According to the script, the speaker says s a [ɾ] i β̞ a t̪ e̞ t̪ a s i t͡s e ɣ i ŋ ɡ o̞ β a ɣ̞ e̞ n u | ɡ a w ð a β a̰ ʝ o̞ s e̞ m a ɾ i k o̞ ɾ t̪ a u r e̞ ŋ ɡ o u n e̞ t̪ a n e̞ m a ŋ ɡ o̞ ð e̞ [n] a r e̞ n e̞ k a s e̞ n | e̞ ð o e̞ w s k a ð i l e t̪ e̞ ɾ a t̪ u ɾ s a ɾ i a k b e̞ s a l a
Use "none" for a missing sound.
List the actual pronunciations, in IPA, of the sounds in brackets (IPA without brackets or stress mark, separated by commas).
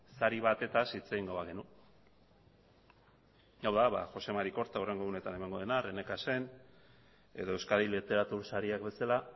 ɾ, n